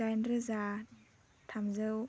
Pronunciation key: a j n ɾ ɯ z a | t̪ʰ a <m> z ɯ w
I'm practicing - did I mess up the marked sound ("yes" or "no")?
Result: no